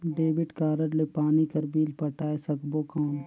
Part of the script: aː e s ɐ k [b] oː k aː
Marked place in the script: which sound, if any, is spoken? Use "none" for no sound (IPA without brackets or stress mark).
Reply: b